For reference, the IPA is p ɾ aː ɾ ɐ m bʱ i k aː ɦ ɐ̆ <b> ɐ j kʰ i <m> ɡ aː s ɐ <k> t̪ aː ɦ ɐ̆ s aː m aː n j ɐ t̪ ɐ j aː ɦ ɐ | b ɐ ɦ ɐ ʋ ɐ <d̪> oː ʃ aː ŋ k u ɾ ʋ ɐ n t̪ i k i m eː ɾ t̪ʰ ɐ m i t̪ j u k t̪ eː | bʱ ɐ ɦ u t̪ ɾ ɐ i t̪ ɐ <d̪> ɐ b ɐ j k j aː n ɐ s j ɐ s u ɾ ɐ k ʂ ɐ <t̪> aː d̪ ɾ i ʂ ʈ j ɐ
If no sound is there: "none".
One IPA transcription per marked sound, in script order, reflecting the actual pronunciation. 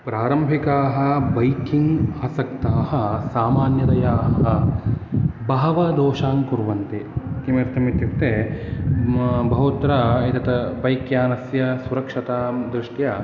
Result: b, ŋ, k, d̪, t̪, t̪

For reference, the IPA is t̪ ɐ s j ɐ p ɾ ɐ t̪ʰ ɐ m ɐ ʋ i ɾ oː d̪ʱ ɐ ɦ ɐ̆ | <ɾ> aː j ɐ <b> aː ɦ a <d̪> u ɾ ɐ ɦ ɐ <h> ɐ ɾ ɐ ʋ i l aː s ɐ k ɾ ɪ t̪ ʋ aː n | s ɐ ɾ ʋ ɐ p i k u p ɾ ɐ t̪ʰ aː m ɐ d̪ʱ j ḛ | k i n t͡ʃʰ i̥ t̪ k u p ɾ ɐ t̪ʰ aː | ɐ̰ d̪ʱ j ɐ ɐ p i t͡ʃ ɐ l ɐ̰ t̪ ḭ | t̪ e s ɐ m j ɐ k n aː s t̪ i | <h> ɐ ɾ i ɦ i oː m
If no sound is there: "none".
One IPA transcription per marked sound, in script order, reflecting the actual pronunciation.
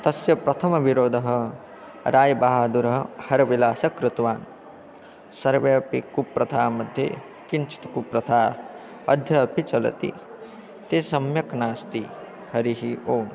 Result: ɾ, b, d̪, h, h

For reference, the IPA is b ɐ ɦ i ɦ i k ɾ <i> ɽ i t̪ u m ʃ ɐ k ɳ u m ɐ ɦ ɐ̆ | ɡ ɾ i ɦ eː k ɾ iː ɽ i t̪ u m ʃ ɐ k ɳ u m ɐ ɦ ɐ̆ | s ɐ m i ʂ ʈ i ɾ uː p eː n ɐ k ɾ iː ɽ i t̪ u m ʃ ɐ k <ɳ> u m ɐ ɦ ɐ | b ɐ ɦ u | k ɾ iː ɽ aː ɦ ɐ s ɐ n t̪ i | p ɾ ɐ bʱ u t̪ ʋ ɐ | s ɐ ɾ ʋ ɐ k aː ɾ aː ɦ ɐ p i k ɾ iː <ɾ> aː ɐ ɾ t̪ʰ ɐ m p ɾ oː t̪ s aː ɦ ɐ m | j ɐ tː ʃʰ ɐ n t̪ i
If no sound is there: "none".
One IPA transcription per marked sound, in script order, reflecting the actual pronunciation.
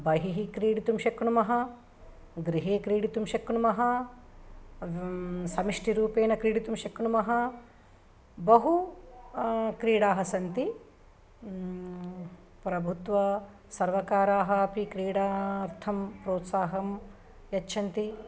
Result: iː, ɳ, ɽ

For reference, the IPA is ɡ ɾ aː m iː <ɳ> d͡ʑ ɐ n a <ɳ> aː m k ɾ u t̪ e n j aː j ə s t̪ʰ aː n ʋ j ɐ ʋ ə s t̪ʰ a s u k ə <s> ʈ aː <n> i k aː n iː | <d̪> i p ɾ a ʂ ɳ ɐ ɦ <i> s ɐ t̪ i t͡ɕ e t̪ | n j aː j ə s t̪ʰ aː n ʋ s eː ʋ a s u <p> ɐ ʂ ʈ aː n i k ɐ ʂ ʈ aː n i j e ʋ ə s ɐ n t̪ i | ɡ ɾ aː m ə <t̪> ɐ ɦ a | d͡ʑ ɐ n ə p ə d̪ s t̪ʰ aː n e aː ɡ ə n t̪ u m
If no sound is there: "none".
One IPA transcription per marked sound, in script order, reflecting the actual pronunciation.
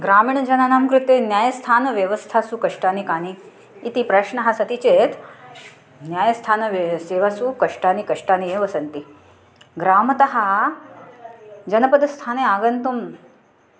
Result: ɳ, n, ʂ, n, t̪, a, k, t̪

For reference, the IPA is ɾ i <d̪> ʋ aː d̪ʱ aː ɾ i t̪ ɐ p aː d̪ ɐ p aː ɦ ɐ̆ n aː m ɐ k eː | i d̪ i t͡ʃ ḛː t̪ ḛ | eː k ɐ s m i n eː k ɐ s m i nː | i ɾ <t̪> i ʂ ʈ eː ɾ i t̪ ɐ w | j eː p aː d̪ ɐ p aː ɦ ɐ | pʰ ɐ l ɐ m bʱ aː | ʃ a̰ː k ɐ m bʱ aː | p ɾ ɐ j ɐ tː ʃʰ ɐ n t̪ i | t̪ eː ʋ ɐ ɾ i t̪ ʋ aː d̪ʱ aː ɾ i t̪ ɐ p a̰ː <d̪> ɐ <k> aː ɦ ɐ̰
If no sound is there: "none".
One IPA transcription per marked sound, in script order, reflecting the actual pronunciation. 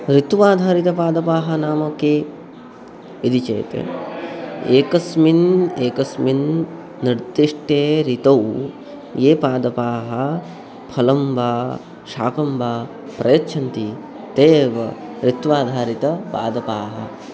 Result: t̪, d̪, d̪, p

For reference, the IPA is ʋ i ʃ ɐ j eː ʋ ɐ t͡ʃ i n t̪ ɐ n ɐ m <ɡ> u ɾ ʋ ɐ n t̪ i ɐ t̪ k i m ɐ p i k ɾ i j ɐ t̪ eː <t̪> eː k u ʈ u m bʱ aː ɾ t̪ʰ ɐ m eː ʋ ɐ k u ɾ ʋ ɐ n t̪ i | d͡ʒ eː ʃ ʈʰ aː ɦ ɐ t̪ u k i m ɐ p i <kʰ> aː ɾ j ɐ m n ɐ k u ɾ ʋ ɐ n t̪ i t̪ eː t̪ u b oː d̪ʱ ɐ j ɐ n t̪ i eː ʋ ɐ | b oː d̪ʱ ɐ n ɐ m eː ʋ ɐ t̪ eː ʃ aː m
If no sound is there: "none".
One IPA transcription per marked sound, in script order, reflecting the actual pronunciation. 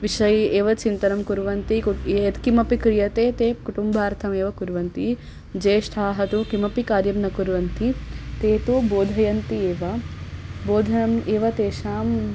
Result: k, t̪, k

